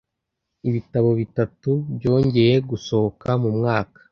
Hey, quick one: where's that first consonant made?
lips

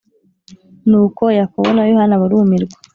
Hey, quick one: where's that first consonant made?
tongue tip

